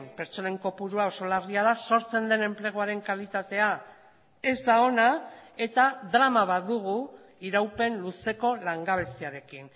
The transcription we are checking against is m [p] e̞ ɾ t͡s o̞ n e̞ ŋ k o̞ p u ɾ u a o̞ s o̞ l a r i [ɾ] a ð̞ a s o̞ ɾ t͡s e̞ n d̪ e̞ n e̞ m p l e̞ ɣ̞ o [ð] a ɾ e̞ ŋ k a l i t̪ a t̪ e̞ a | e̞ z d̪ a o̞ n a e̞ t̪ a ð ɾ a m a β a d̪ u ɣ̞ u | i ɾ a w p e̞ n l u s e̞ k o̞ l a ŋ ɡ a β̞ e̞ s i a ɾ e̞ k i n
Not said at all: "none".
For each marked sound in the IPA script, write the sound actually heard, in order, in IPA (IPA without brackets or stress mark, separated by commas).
p, none, none